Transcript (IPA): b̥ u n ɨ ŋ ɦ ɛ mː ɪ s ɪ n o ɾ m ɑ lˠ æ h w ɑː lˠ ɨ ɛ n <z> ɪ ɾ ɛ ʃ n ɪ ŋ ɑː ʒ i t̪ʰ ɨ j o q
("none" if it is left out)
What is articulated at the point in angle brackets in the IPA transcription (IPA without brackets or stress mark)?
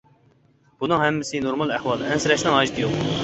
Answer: s